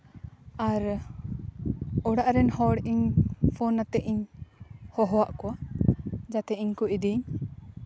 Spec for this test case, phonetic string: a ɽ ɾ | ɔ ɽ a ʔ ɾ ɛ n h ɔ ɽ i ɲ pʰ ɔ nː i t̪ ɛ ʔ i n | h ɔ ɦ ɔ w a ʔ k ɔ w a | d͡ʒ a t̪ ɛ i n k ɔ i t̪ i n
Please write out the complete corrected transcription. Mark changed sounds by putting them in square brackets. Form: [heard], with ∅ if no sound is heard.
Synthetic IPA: a [∅] ɾ | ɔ ɽ a ʔ ɾ ɛ n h ɔ ɽ i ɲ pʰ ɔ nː [a] t̪ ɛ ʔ i [ɲ] | h ɔ ɦ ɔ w a ʔ k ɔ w a | d͡ʒ a t̪ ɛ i [ɲ] k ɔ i [d̪] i [ɲ]